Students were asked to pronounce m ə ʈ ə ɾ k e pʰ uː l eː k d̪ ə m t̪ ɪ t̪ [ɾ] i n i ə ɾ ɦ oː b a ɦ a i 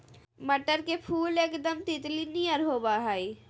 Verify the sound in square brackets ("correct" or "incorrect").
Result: incorrect